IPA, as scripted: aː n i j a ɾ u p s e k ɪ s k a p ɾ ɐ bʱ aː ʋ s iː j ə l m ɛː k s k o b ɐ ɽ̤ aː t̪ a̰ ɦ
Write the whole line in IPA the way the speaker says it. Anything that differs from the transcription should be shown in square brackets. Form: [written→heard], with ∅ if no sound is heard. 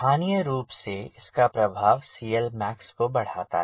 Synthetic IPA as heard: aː n i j [a→ə] ɾ [u→uː] p s e [k→∅] ɪ s k a p ɾ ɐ bʱ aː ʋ s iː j ə l m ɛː k s k o b ɐ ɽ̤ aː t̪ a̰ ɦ